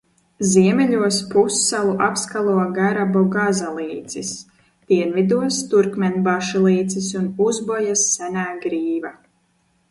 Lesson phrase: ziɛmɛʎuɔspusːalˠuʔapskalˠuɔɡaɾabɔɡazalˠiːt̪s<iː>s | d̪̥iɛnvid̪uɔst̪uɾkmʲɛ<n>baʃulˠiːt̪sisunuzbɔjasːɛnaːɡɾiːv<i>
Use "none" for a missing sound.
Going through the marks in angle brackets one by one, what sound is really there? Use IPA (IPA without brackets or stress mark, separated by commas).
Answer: i, n, a